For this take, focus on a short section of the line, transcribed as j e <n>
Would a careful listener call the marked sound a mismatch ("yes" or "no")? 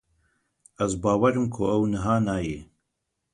yes